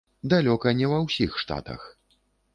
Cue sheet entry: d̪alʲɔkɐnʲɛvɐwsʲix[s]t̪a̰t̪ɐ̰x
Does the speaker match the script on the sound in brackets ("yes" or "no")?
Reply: no